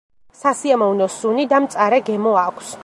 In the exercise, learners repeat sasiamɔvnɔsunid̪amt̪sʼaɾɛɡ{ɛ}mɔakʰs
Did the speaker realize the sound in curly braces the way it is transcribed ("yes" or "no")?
yes